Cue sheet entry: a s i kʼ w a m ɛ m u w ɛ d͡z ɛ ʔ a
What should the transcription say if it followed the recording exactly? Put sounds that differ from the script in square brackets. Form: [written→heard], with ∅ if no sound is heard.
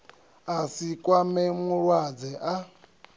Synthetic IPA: a s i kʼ w a m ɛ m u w [ɛ→a] d͡z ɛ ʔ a